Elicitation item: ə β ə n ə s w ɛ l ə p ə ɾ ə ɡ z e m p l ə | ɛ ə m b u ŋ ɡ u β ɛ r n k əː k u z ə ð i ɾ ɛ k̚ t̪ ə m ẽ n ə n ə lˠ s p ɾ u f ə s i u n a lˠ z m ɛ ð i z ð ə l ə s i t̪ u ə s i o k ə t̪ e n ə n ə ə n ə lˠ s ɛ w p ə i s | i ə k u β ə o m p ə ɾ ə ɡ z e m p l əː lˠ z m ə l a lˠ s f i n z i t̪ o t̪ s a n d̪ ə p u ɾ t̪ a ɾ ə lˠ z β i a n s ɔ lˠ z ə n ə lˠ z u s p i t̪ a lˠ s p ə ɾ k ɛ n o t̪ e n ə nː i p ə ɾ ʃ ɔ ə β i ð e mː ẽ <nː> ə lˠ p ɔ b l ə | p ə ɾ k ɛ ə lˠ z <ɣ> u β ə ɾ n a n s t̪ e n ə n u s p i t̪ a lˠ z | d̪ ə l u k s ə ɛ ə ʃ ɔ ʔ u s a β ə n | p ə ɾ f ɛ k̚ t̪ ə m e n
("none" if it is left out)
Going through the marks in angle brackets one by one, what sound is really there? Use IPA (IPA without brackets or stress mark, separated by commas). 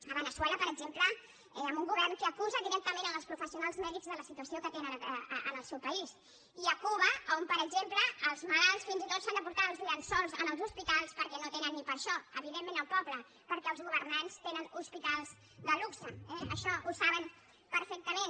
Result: n, ɣ